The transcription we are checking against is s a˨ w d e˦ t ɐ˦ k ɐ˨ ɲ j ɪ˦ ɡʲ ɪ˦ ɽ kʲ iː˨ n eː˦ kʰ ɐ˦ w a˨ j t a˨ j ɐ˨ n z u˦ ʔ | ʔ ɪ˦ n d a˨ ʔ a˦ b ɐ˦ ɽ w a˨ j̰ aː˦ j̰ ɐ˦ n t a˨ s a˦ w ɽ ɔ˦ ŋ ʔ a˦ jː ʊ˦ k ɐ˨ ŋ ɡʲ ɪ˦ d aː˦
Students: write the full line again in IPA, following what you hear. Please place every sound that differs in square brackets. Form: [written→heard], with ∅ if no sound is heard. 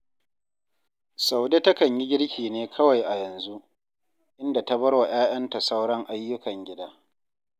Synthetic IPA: s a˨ w d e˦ t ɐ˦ k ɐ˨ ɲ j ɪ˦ ɡʲ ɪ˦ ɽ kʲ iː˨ n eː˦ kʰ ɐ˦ w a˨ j [t→ʔ] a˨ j ɐ˨ n z u˦ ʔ | ʔ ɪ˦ n d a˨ [ʔ→t] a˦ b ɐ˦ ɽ w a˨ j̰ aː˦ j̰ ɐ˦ n t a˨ s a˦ w ɽ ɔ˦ ŋ ʔ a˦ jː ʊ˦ k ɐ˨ ŋ ɡʲ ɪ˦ d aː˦